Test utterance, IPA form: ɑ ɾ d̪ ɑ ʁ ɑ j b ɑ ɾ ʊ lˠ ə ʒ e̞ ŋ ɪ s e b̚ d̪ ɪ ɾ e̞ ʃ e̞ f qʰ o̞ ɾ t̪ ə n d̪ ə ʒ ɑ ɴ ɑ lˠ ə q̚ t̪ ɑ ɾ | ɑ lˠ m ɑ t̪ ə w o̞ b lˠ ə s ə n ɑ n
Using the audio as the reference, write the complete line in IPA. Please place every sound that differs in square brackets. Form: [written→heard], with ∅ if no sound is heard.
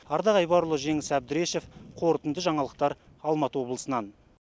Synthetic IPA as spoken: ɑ ɾ d̪ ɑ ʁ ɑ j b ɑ ɾ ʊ lˠ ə ʒ e̞ ŋ ɪ s [e→æ] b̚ d̪ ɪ ɾ e̞ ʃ e̞ f qʰ o̞ ɾ t̪ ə n d̪ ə ʒ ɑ ɴ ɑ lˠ ə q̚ t̪ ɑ ɾ | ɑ lˠ m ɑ t̪ ə w o̞ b lˠ ə s ə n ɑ n

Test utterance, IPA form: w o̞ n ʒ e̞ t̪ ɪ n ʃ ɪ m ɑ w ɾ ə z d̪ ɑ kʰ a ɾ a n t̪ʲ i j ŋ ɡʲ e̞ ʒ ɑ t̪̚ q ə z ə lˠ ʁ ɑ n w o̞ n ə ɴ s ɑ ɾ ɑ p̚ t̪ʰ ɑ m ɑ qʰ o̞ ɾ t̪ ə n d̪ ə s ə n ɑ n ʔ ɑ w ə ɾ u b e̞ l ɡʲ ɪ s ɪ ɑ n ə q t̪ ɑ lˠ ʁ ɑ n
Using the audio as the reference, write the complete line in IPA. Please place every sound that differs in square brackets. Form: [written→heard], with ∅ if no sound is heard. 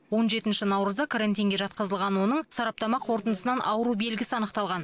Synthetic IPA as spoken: w o̞ n ʒ e̞ t̪ ɪ n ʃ ɪ [m→n] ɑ w ɾ ə z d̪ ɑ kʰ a ɾ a n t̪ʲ i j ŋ ɡʲ e̞ ʒ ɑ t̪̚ q ə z ə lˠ ʁ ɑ n w o̞ n ə ɴ s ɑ ɾ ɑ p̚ [t̪ʰ→t̪] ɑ m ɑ qʰ o̞ ɾ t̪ ə n d̪ ə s ə n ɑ n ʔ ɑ w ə ɾ u b e̞ l ɡʲ ɪ s ɪ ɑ n ə q t̪ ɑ lˠ ʁ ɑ n

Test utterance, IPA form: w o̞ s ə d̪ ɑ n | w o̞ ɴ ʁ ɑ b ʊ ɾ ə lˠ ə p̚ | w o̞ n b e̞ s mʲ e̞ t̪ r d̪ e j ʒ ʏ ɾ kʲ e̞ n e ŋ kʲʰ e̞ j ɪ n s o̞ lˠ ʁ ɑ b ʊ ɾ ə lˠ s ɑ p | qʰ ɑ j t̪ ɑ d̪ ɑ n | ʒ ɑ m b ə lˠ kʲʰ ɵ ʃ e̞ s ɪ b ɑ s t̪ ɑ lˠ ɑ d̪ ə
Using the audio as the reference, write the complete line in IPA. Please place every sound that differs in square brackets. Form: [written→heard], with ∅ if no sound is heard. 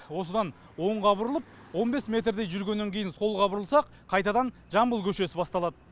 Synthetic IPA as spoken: w o̞ s ə d̪ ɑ n | w o̞ ɴ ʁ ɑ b ʊ ɾ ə lˠ ə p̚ | w o̞ n b e̞ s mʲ e̞ t̪ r d̪ e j ʒ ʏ ɾ [kʲ→ɡʲ] e̞ [n→nː] e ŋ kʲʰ e̞ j ɪ n s o̞ lˠ ʁ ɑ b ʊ ɾ ə lˠ s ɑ [p→q] | qʰ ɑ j t̪ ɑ d̪ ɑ n | ʒ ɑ m b ə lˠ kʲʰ ɵ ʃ e̞ s ɪ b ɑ s t̪ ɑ lˠ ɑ d̪ ə

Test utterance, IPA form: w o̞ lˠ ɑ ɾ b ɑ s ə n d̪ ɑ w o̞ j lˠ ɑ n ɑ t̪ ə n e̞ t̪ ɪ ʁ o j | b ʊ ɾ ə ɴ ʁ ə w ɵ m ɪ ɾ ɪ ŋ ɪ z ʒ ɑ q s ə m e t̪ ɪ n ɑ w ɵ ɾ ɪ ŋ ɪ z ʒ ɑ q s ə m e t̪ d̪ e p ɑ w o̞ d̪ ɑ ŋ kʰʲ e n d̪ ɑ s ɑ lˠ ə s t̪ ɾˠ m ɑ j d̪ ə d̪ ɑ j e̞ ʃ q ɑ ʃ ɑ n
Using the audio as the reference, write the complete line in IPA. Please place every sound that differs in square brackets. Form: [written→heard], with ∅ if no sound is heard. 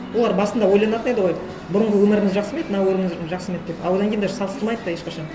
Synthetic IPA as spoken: w o̞ lˠ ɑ ɾ b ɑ s ə n d̪ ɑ w o̞ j lˠ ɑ n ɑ t̪ ə n e̞ [t̪→d̪] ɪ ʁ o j | b ʊ ɾ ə ɴ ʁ ə w ɵ m ɪ ɾ ɪ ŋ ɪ z ʒ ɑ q s ə m e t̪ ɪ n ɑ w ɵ ɾ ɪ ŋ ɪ z ʒ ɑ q s ə m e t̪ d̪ e p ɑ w o̞ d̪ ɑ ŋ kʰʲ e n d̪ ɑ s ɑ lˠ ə s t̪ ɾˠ m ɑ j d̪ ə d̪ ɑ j e̞ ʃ q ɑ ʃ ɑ n

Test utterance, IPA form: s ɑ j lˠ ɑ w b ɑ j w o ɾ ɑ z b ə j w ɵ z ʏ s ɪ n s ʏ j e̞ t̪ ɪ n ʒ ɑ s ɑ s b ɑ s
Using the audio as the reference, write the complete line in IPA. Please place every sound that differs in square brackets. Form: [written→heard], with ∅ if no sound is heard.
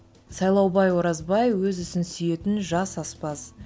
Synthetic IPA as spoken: s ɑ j lˠ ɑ w b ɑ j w o ɾ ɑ z b [ə→ɑ] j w ɵ z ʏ s ɪ n s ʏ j e̞ t̪ ɪ n ʒ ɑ s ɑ s [b→p] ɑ s

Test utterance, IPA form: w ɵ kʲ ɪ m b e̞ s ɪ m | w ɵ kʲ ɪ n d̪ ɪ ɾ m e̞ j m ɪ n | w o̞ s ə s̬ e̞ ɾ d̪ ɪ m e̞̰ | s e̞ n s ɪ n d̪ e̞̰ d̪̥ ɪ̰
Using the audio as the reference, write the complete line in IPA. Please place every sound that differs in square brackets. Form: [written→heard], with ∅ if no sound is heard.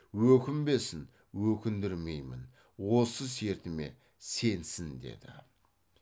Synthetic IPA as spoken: w ɵ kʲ ɪ m b e̞ s ɪ [m→n] | w ɵ kʲ ɪ n d̪ ɪ ɾ m e̞ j m ɪ n | w o̞ s ə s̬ e̞ ɾ [d̪→t̪] ɪ m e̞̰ | s e̞ n s ɪ n d̪ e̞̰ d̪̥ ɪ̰

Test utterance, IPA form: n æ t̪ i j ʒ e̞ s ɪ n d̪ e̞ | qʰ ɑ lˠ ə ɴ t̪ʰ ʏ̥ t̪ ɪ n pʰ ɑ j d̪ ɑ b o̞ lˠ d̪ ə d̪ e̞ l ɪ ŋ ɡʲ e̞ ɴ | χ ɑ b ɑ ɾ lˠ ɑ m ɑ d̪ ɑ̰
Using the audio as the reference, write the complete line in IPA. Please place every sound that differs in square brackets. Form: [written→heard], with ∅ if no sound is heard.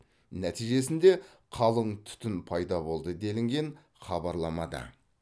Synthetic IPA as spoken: n æ t̪ i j ʒ e̞ s ɪ n d̪ e̞ | qʰ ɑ lˠ ə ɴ t̪ʰ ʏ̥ t̪ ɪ n pʰ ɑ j d̪ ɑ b o̞ lˠ d̪ ə d̪ e̞ l ɪ ŋ ɡʲ e̞ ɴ | χ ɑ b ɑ ɾ lˠ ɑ m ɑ d̪ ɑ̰

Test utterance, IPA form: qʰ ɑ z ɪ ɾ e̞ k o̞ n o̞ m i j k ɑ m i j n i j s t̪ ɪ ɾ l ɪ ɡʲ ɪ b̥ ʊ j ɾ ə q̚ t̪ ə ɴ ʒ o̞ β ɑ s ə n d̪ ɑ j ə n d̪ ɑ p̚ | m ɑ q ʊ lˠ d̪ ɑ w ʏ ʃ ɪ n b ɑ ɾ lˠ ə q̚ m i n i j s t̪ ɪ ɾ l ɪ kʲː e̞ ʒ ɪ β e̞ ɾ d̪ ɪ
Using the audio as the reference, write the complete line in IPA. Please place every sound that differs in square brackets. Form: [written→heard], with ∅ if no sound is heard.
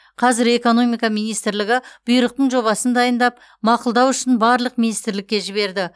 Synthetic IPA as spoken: qʰ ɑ z ɪ ɾ e̞ k o̞ n o̞ m i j k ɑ m i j n i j s t̪ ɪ ɾ l ɪ ɡʲ ɪ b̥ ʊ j ɾ ə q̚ t̪ ə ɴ ʒ o̞ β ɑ s ə n d̪ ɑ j ə n d̪ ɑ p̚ | m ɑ q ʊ lˠ d̪ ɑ w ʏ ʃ ɪ n b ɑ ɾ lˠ ə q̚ m i n i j s t̪ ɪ ɾ l ɪ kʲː e̞ ʒ ɪ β e̞ ɾ d̪ ɪ

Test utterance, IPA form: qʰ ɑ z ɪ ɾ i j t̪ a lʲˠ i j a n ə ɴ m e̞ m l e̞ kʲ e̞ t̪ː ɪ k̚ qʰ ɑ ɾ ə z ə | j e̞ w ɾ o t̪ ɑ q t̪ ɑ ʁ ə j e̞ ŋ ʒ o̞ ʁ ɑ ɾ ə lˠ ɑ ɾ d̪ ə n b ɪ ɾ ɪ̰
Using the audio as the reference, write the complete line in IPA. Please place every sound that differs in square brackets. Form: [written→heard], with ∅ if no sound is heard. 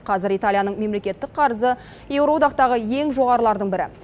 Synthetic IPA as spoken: qʰ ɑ z ɪ ɾ i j t̪ a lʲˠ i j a n ə ɴ m e̞ m l e̞ kʲ e̞ t̪ː ɪ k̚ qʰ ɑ ɾ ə z ə | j e̞ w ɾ o [t̪→d̪] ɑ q t̪ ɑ ʁ ə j e̞ ŋ ʒ o̞ ʁ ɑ ɾ ə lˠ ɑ ɾ d̪ ə [n→ɴ] b ɪ ɾ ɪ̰

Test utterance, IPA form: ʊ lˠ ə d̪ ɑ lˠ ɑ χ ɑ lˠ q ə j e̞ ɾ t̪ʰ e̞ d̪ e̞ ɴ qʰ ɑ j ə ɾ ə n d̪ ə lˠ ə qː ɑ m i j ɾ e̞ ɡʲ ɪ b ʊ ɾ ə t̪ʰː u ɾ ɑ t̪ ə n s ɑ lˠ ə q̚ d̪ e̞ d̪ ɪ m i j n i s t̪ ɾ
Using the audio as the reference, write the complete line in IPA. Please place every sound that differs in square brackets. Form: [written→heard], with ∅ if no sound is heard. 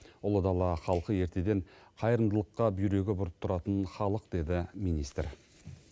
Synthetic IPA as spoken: ʊ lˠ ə d̪ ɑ lˠ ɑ χ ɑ lˠ q ə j e̞ ɾ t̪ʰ e̞ d̪ e̞ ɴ qʰ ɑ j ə ɾ ə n d̪ ə lˠ ə qː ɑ [m→b] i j ɾ e̞ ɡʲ ɪ b ʊ ɾ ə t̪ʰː [u→ʊ] ɾ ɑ t̪ ə n [s→χ] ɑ lˠ ə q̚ d̪ e̞ d̪ ɪ m i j n i s t̪ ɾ

